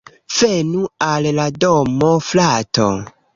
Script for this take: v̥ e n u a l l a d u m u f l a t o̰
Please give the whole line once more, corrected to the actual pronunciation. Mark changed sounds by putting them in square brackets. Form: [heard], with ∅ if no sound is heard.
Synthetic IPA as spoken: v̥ e n u a l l a d [o] m [o] f l a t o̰